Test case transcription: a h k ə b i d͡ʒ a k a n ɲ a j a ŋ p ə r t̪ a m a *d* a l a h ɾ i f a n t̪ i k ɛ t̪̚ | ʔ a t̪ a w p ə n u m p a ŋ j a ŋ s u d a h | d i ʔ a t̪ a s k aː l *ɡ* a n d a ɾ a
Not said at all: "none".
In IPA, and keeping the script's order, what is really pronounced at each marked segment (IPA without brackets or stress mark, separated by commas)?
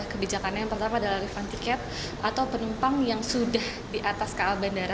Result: d, b